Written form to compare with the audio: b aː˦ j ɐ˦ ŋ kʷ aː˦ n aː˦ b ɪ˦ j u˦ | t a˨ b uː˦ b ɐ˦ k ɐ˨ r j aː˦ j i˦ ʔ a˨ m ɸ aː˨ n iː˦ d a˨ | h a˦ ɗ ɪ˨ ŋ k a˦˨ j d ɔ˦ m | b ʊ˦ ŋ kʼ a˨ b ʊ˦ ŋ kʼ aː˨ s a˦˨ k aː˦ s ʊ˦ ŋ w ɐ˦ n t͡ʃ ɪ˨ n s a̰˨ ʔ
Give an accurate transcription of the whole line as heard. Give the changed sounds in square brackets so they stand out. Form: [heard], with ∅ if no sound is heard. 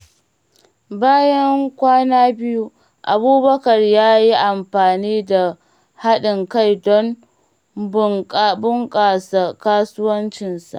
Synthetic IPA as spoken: b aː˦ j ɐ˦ ŋ kʷ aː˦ n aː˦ b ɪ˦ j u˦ | [ʔ] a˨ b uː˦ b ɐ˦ k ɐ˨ r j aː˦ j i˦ ʔ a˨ m ɸ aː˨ n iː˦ d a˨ | h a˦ ɗ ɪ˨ ŋ k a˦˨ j d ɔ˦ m | b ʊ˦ ŋ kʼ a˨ b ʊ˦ ŋ kʼ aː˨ s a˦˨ k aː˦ s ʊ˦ [∅] w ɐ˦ n t͡ʃ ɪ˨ n s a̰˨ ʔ